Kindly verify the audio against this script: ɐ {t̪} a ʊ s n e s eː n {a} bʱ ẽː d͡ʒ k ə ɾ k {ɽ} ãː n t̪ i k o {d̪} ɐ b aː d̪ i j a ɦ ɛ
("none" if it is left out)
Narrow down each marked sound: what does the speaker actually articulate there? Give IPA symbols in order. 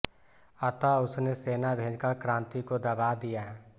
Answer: t̪, a, ɾ, d̪

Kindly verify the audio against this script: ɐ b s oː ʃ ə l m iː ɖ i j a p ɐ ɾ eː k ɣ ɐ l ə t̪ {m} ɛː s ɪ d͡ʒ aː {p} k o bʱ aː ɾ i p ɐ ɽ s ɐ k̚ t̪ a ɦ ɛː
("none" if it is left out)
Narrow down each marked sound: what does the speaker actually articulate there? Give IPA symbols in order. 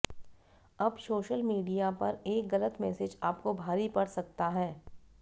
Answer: m, p

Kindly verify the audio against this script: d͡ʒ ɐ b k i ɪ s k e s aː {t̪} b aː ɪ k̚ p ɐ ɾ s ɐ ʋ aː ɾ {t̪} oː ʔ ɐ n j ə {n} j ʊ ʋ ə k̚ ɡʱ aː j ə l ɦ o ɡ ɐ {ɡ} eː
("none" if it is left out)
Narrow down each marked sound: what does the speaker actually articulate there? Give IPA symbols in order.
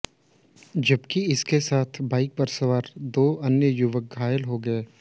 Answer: t̪ʰ, d̪, none, none

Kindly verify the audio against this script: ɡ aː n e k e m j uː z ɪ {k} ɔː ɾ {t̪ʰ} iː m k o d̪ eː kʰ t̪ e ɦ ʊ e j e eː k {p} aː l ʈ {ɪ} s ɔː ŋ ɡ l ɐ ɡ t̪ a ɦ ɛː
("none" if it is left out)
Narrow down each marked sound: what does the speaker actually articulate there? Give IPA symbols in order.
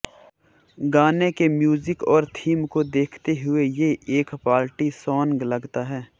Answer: k, t̪ʰ, p, i

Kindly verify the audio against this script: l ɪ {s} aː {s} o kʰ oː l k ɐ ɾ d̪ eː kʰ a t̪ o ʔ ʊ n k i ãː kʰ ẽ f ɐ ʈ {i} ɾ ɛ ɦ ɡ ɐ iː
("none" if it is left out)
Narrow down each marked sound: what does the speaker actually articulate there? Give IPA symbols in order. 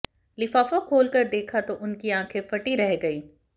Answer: f, f, i

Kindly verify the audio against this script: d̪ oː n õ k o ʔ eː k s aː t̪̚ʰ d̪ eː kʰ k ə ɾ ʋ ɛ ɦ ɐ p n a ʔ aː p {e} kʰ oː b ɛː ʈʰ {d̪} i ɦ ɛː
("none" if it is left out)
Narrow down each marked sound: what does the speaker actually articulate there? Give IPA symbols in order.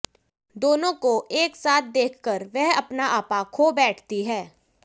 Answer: a, t̪

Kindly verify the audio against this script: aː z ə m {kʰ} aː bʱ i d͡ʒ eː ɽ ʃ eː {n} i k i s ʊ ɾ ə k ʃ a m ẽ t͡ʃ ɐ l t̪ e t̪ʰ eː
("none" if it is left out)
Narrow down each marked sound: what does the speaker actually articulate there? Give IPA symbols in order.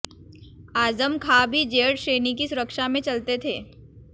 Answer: kʰ, n

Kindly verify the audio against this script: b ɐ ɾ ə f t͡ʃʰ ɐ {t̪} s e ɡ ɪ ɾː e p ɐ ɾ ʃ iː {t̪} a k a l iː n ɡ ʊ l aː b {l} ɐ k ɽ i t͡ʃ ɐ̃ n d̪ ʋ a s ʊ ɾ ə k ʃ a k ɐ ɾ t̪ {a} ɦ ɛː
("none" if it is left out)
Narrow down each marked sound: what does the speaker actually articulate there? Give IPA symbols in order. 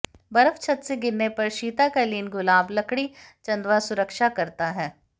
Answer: t̪, t̪, l, a

